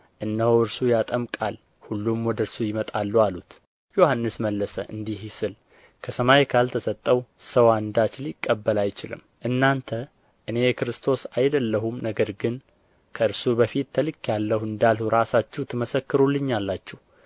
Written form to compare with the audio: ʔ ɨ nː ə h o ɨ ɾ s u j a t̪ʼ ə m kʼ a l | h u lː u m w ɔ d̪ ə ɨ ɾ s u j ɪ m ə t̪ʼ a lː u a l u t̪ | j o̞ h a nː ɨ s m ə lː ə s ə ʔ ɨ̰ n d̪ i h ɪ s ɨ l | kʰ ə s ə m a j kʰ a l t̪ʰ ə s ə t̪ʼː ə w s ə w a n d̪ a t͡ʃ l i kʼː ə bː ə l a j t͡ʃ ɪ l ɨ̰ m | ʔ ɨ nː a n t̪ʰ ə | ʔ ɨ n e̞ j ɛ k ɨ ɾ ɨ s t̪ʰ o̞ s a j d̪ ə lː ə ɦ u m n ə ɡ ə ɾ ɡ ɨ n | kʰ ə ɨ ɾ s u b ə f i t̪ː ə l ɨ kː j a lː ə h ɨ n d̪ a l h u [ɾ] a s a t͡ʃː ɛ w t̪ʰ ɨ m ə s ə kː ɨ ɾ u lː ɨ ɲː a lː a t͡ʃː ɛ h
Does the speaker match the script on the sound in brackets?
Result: yes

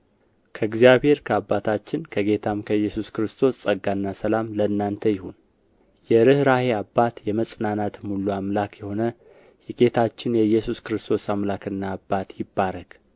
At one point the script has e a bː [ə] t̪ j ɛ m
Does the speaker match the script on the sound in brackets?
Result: no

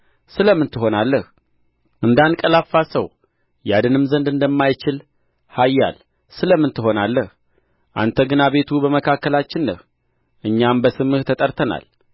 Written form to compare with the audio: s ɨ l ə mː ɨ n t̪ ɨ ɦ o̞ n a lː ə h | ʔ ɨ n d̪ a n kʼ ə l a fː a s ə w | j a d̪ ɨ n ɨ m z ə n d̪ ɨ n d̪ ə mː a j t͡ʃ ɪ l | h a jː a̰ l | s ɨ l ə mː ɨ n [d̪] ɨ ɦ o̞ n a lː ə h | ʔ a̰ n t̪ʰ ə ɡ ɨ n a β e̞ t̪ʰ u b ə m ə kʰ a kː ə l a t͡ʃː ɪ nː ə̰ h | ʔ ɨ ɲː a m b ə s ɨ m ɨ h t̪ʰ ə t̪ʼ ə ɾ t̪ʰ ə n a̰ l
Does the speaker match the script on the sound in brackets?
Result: no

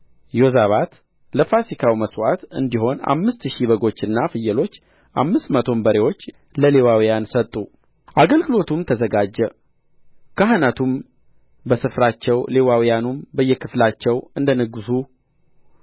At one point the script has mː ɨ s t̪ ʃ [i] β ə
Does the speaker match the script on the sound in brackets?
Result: yes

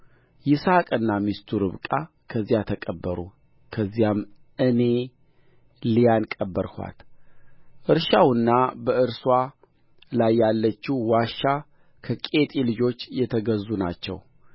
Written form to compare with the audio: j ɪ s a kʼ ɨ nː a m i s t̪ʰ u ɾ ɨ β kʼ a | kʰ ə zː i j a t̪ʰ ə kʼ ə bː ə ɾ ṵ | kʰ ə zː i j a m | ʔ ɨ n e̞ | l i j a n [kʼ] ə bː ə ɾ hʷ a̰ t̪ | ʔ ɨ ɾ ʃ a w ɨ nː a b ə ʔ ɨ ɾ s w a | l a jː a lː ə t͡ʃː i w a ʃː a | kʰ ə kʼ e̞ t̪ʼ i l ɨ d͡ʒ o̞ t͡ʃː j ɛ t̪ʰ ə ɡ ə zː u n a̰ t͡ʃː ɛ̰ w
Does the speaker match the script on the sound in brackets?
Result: yes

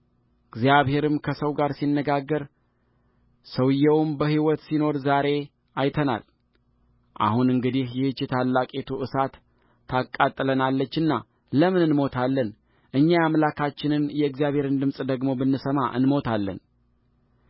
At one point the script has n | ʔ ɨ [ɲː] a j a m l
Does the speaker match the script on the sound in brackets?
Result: yes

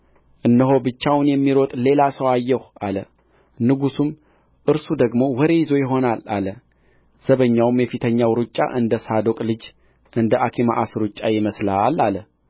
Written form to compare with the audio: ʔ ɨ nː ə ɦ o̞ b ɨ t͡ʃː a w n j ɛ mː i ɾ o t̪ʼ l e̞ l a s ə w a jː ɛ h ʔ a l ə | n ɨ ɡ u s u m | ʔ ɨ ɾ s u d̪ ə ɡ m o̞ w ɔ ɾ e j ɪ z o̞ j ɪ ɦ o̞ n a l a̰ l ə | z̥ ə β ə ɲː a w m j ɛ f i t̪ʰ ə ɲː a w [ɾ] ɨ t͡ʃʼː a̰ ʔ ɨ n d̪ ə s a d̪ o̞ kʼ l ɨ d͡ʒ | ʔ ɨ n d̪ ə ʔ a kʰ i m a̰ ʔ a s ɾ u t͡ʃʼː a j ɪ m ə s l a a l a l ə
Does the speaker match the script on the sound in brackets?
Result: yes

